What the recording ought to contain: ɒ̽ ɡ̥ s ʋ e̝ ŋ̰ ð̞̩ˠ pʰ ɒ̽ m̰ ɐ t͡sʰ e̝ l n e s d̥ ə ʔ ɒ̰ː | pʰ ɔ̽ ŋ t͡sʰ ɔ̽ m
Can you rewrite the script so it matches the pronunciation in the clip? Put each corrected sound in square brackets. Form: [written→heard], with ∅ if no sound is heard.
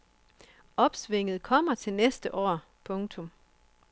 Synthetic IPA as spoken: ɒ̽ [ɡ̥→b̥] s ʋ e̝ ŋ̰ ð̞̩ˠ [pʰ→kʰ] ɒ̽ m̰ ɐ t͡sʰ e̝ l n e s d̥ ə ʔ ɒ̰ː | pʰ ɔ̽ ŋ t͡sʰ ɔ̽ m